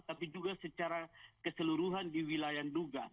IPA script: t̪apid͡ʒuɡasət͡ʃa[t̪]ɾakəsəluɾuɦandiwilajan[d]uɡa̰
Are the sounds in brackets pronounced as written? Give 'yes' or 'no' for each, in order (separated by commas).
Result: no, yes